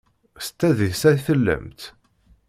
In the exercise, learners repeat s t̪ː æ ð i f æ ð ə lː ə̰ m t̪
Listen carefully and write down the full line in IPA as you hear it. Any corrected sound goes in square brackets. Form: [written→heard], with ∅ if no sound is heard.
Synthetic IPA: s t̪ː æ ð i [f→s] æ [ð→θ] ə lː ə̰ m t̪